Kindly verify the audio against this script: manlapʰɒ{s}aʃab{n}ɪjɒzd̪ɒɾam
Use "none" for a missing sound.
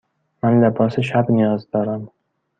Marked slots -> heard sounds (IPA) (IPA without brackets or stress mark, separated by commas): s, n